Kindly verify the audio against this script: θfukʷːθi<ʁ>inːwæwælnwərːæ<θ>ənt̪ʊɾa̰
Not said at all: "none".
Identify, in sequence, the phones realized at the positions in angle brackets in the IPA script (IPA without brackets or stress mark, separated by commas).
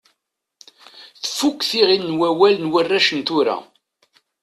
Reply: ʁ, ʃ